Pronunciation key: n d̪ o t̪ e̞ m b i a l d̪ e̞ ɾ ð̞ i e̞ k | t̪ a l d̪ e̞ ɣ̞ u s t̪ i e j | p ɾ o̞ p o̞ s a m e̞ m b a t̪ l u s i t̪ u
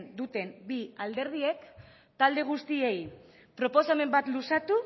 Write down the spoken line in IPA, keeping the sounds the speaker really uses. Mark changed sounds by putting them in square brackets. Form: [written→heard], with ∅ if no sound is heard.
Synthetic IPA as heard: n d̪ [o→u] t̪ e̞ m b i a l d̪ e̞ ɾ ð̞ i e̞ k | t̪ a l d̪ e̞ ɣ̞ u s t̪ i e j | p ɾ o̞ p o̞ s a m e̞ m b a t̪ l u s [i→a] t̪ u